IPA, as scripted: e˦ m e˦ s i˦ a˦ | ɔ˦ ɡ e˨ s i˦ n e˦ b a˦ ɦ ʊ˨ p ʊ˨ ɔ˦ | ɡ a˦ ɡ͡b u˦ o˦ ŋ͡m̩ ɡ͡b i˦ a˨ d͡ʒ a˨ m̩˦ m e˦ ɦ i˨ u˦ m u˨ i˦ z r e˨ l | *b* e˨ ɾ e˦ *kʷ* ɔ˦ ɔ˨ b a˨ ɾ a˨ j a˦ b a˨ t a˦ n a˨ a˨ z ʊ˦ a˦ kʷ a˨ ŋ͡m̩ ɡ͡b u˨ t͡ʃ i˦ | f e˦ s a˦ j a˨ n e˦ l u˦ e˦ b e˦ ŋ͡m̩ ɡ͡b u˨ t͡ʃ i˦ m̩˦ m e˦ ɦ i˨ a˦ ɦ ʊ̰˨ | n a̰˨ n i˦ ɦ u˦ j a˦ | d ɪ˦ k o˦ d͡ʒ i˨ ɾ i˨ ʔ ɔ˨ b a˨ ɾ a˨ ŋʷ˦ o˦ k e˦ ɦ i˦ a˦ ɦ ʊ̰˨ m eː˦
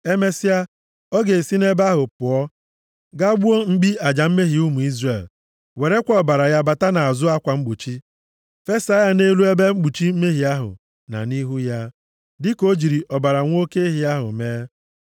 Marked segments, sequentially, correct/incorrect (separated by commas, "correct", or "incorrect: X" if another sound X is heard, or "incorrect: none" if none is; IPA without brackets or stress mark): incorrect: w, correct